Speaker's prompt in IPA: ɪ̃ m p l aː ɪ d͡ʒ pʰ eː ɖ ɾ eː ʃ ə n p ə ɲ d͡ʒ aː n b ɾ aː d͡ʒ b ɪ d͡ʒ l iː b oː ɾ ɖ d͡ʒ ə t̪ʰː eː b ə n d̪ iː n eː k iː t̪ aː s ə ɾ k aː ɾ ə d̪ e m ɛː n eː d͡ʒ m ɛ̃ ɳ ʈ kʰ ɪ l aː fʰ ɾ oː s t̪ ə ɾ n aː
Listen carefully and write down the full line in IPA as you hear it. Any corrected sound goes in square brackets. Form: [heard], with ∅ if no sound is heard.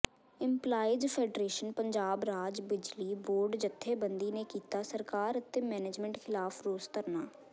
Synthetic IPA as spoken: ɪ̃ m p l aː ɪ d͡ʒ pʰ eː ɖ ɾ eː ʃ ə n p ə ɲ d͡ʒ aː [∅] b ɾ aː d͡ʒ b ɪ d͡ʒ l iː b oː ɾ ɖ d͡ʒ ə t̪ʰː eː b ə n d̪ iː n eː k iː t̪ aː s ə ɾ k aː ɾ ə [t̪] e m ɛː n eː d͡ʒ m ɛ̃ ɳ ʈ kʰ ɪ l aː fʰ ɾ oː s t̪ ə ɾ n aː

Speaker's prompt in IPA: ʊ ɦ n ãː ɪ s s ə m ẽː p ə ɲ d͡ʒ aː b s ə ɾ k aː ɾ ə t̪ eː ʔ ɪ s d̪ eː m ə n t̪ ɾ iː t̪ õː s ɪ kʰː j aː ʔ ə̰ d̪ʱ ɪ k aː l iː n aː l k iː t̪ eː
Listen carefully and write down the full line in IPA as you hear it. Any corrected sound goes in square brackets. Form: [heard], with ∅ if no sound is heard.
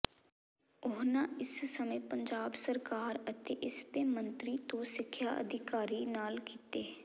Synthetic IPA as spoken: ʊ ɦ n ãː ɪ s s ə m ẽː p ə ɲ d͡ʒ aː b s ə ɾ k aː ɾ ə t̪ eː ʔ ɪ s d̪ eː m ə n t̪ ɾ iː t̪ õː s ɪ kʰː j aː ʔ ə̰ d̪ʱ ɪ k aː [ɾ] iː n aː l k iː t̪ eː

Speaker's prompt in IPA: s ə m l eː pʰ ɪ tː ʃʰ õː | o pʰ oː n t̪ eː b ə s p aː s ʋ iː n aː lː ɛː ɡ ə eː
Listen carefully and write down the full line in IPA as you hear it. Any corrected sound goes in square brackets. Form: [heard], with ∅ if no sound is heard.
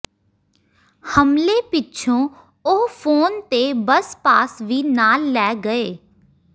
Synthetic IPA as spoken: [h] ə m l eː [p] ɪ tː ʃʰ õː | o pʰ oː n t̪ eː b ə s p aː s ʋ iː n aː lː ɛː ɡ ə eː

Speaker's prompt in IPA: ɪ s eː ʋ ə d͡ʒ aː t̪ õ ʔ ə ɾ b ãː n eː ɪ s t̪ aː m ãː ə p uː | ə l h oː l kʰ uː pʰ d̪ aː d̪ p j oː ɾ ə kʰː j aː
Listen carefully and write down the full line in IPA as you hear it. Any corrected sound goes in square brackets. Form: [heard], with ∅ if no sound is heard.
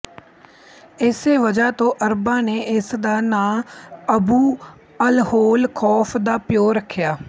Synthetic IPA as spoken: ɪ s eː ʋ ə d͡ʒ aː t̪ [õː] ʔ ə ɾ b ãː n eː ɪ s [d̪] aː [n] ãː ə [b] uː | ə l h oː l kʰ [ɔː] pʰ d̪ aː [∅] p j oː ɾ ə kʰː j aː

